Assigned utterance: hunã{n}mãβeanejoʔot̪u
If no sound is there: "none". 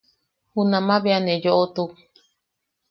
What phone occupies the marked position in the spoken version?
none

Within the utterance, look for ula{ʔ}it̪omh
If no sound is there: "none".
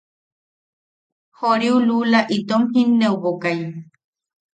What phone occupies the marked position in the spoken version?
ʔ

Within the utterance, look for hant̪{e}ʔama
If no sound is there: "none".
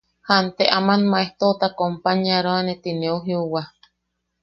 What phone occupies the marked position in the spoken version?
e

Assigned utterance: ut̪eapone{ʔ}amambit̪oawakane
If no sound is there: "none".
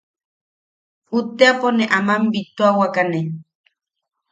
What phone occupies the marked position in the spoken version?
ʔ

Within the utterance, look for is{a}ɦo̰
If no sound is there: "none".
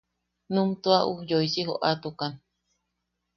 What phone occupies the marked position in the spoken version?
i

